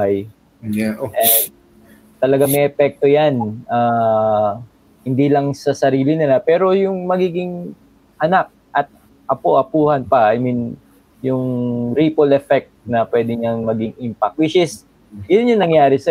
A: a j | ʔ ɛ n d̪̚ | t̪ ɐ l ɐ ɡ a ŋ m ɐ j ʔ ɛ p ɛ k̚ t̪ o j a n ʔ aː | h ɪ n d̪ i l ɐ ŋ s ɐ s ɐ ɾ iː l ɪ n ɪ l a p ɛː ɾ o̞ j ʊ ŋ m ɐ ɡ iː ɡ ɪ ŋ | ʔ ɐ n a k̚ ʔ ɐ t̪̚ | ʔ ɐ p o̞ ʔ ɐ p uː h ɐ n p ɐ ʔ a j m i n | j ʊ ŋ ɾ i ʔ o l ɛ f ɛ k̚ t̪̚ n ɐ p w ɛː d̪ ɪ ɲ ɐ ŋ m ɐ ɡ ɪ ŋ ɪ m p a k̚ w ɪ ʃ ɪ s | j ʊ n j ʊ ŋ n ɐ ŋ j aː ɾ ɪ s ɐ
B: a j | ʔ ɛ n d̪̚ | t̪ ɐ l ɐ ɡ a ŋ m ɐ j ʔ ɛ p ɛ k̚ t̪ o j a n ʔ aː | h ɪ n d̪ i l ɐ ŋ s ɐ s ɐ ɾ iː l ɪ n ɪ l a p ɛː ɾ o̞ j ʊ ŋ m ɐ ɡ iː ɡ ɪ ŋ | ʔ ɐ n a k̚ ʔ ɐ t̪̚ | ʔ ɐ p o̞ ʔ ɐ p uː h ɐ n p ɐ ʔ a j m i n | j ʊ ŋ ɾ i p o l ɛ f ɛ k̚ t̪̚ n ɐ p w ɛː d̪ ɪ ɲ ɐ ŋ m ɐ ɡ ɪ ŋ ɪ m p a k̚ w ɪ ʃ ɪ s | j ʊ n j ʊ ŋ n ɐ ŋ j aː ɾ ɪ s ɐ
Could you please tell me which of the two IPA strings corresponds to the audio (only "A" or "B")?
B